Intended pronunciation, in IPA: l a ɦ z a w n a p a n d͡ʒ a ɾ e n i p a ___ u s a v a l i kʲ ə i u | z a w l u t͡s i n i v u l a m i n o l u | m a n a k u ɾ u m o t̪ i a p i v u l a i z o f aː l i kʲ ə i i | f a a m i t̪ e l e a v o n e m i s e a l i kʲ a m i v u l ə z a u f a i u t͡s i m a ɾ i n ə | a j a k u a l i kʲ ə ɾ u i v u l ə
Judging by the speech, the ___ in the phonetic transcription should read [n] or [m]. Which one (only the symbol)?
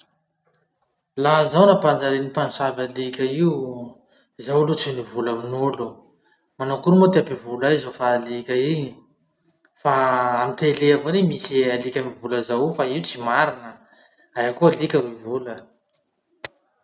n